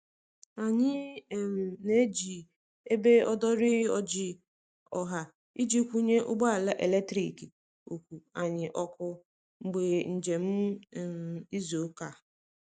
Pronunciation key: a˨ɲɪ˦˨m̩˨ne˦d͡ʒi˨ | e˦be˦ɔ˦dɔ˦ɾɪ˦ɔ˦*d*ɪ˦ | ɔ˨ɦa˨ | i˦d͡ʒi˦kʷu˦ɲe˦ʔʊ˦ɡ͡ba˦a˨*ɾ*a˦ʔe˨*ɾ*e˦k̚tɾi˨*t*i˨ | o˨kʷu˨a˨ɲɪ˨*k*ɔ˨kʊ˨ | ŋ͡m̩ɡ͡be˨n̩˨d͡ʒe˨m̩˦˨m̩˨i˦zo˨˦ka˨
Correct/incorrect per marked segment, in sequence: incorrect: d͡ʒ, incorrect: l, incorrect: l, incorrect: k, incorrect: ʔ

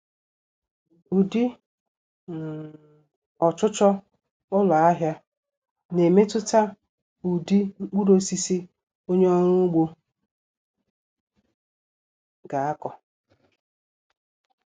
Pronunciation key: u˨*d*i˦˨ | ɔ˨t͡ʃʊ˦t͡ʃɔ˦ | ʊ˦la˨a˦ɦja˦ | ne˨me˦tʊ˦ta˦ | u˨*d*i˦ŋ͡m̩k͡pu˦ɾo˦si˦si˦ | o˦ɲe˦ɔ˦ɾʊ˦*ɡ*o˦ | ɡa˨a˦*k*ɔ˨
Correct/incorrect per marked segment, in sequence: correct, correct, incorrect: ɡ͡b, correct

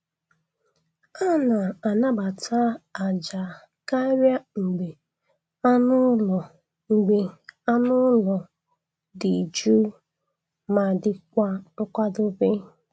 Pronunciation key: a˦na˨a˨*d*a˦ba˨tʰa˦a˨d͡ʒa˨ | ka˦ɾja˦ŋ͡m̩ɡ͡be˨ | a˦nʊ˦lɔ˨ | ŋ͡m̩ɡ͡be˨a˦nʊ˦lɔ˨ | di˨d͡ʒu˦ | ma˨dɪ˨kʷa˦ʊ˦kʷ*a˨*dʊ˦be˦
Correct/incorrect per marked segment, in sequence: incorrect: n, incorrect: a˦

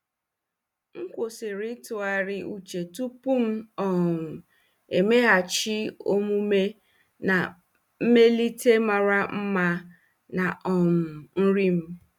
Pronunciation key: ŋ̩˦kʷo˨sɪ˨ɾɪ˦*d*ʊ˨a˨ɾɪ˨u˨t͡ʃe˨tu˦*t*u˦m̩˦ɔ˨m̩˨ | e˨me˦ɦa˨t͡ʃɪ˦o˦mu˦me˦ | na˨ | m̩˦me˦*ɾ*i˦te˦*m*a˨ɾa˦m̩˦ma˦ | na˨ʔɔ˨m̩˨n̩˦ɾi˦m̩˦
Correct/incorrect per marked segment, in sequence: incorrect: t, incorrect: p, incorrect: l, correct

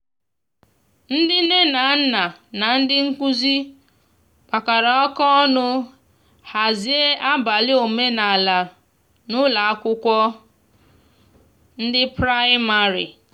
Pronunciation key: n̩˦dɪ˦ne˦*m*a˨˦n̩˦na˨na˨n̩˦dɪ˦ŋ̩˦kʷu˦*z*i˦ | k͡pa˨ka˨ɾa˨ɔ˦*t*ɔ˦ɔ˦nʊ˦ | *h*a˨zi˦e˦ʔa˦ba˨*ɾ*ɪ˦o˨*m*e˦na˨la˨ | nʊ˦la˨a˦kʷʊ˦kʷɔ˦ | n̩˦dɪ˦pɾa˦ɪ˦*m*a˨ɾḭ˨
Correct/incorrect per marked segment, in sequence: incorrect: n, correct, incorrect: k, correct, incorrect: l, correct, correct

